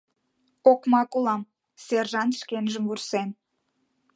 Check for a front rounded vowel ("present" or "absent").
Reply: absent